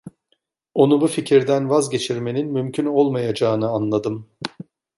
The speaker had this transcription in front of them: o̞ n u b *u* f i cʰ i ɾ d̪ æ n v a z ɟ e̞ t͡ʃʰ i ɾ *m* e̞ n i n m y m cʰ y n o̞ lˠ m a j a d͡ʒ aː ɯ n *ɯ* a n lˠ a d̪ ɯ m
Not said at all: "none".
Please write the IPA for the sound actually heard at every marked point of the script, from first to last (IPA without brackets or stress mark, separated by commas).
u, m, ɯ